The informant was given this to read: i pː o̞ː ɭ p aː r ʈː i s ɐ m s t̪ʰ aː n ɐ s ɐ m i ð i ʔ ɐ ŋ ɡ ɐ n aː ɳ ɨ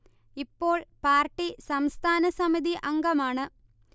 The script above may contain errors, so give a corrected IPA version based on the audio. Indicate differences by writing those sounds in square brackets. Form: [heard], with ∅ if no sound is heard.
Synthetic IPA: i pː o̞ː ɭ p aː r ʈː i s ɐ m s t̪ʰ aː n ɐ s ɐ m i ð i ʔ ɐ ŋ ɡ ɐ [m] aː ɳ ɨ